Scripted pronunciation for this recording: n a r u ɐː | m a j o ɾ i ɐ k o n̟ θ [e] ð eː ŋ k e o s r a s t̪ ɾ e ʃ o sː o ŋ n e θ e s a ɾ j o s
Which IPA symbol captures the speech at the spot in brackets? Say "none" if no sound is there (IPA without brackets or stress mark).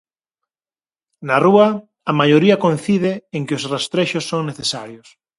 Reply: i